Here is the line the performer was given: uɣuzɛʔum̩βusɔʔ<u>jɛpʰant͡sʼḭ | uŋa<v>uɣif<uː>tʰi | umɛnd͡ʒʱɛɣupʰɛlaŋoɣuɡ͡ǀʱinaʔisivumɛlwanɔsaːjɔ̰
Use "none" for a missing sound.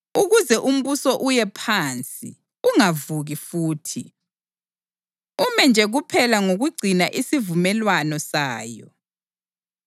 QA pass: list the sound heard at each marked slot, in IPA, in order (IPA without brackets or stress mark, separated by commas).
u, v, uː